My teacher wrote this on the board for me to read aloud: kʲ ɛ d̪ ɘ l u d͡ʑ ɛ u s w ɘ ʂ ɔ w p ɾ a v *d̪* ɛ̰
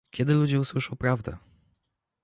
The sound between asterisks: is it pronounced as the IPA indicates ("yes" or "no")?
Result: yes